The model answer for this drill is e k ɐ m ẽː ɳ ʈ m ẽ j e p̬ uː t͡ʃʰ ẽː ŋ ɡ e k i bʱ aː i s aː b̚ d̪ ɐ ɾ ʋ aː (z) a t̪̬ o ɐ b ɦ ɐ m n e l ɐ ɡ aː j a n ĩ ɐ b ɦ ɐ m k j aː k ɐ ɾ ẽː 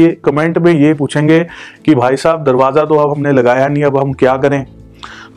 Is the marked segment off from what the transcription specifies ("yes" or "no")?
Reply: no